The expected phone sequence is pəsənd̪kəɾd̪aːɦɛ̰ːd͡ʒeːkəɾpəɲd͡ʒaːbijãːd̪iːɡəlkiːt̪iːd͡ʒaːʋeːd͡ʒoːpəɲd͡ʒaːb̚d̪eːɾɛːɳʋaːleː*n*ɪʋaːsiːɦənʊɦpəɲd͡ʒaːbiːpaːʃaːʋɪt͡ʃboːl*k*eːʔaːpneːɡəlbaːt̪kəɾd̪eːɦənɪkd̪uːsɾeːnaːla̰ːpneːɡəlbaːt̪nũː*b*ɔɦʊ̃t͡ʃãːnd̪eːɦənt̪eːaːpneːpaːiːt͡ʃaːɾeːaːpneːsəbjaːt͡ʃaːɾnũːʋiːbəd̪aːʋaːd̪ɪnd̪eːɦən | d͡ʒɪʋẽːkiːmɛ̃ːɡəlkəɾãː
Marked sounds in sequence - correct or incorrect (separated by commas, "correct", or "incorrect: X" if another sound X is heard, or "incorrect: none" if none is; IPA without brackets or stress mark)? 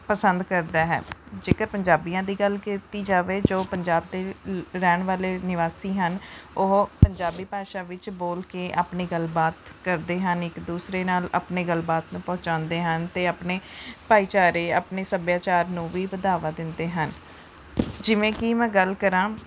correct, correct, incorrect: p